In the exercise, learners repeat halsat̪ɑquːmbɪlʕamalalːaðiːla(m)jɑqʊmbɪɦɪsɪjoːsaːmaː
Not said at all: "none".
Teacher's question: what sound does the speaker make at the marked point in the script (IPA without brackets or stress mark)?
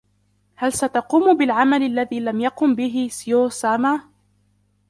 m